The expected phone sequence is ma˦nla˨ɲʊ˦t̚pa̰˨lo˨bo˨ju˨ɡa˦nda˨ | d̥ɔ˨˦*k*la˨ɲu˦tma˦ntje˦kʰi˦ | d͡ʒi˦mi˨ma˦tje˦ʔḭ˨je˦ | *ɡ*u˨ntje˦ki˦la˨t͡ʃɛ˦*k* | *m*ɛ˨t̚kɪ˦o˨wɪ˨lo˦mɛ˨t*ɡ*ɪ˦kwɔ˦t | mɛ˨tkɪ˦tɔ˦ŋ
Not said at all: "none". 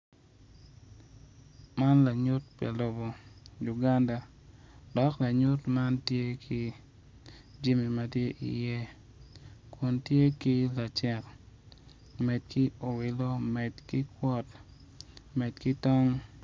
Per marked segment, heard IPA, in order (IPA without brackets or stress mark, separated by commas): k, k, k, m, k